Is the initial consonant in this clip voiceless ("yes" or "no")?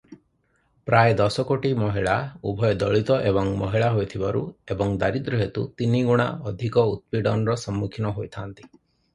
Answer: yes